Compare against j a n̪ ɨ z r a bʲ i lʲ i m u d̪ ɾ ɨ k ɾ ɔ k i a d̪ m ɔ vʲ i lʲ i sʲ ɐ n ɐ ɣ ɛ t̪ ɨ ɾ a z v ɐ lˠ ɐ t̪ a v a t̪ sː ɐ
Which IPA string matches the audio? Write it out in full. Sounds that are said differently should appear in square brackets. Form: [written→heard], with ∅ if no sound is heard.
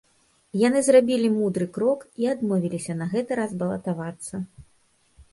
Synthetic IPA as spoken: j a n̪ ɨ z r a bʲ i lʲ i m u d̪ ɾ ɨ k ɾ ɔ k i a d̪ m ɔ vʲ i lʲ i sʲ ɐ n ɐ ɣ ɛ t̪ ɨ ɾ a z [v→b] ɐ lˠ ɐ t̪ a v a t̪ sː ɐ